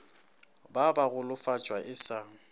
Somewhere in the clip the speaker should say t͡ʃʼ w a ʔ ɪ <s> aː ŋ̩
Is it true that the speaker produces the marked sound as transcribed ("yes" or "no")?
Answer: yes